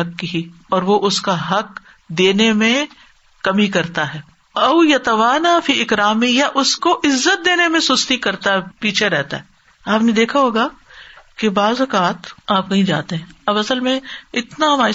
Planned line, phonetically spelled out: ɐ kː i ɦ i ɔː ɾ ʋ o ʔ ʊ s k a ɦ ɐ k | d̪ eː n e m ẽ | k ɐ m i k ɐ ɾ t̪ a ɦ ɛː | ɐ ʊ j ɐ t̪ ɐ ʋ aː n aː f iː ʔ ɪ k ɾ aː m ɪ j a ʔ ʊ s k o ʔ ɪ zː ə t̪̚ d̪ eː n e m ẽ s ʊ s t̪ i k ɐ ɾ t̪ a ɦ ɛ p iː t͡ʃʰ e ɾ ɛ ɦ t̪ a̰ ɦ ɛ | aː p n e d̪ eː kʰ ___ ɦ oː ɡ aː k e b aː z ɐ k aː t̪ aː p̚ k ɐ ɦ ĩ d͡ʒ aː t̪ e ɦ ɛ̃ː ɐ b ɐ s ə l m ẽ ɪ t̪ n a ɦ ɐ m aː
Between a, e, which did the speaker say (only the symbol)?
a